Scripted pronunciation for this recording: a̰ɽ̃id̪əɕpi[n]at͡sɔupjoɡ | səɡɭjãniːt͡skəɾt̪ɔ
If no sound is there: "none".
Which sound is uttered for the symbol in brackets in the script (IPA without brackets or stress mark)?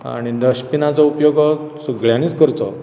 n